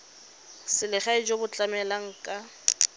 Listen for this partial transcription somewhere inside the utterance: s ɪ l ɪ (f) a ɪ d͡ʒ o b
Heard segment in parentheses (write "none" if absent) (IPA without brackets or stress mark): χ